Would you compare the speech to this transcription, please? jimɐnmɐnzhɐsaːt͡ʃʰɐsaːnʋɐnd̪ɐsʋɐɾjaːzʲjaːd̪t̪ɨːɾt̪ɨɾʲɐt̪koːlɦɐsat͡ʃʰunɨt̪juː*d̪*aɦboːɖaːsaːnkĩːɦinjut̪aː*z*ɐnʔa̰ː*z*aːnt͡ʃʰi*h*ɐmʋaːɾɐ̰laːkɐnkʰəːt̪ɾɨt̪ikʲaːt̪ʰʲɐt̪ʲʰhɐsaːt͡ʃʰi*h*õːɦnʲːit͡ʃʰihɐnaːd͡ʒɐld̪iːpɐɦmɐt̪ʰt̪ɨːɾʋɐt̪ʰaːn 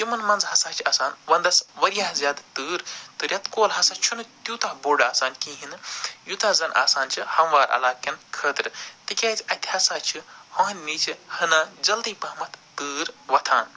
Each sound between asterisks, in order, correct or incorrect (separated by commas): incorrect, correct, incorrect, correct, correct